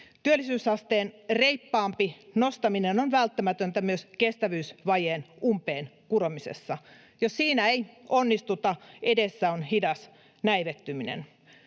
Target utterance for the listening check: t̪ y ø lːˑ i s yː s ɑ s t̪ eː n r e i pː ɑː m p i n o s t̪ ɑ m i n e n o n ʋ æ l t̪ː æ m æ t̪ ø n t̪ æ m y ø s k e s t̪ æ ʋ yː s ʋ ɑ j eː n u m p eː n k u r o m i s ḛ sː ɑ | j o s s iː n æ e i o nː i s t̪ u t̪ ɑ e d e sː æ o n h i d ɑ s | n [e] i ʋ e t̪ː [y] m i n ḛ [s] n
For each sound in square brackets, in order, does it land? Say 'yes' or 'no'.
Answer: no, yes, no

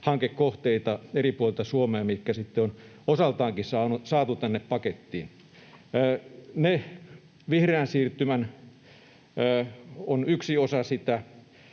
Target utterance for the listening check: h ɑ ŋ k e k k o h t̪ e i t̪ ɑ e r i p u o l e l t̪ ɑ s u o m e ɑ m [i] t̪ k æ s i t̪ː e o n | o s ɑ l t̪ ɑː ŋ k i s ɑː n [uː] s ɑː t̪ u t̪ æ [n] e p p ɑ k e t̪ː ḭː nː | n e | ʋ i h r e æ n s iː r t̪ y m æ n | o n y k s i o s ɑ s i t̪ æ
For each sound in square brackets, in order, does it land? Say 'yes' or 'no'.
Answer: yes, no, no

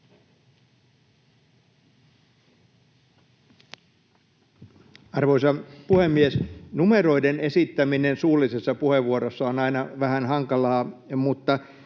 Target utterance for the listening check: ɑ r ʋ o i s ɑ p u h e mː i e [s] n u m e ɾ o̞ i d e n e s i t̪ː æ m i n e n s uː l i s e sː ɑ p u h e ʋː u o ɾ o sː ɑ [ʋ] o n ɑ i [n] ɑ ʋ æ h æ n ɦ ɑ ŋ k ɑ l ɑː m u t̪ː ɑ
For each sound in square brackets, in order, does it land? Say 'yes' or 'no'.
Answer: yes, no, yes

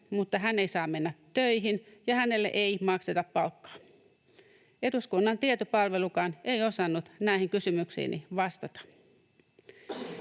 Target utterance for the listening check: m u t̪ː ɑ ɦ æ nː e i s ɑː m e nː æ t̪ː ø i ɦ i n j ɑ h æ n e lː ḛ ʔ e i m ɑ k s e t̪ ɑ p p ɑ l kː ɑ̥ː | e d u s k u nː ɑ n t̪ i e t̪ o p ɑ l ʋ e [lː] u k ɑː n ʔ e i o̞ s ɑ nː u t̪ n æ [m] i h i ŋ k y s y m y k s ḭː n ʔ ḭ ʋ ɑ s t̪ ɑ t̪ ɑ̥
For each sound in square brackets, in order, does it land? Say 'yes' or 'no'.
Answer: no, no

